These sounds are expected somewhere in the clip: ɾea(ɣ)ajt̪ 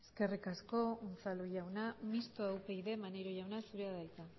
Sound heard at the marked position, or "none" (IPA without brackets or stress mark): ð